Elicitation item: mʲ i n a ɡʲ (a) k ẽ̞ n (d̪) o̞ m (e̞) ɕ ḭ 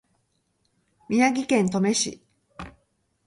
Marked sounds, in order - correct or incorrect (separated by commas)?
incorrect, incorrect, correct